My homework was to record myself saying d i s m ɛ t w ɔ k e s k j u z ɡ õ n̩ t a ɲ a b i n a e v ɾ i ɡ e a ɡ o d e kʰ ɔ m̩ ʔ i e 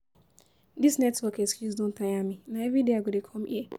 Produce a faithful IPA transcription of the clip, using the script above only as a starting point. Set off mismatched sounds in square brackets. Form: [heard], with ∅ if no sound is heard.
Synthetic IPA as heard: d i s [n] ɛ t w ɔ k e s k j u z [d] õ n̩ t a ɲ a [m] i n a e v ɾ i [d] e a ɡ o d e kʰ ɔ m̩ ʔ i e